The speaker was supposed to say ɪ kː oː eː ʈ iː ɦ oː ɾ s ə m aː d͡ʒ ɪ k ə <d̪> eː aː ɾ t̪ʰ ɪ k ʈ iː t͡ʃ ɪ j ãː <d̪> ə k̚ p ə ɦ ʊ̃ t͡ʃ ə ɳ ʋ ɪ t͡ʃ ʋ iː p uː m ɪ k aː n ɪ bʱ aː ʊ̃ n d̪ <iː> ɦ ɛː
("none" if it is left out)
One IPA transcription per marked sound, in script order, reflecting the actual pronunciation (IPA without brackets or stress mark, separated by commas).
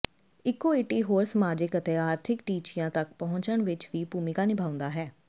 t̪, t̪, aː